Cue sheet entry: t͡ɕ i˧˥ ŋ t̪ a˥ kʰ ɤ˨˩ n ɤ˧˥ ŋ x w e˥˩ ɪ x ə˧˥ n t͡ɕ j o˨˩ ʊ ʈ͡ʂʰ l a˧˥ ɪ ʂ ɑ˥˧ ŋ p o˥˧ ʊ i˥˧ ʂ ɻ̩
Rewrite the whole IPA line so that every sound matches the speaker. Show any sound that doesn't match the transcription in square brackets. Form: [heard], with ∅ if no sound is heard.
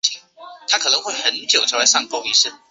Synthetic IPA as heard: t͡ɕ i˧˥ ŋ [t̪ʰ] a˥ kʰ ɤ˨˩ n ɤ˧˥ ŋ x w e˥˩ ɪ x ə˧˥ n t͡ɕ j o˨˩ ʊ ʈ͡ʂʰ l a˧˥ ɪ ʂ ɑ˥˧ ŋ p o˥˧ ʊ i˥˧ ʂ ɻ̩